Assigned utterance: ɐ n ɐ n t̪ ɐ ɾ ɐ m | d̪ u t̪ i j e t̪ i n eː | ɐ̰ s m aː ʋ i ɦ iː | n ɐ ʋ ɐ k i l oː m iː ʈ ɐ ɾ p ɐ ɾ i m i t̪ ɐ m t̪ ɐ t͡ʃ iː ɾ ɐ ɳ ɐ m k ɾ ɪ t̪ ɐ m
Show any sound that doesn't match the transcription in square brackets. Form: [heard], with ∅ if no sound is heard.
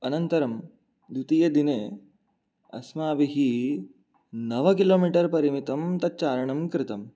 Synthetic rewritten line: ɐ n ɐ n t̪ ɐ ɾ ɐ m | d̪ u t̪ i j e [d̪] i n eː | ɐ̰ s m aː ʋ i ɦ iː | n ɐ ʋ ɐ k i l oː m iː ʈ ɐ ɾ p ɐ ɾ i m i t̪ ɐ m t̪ ɐ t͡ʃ [aː] ɾ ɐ ɳ ɐ m k ɾ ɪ t̪ ɐ m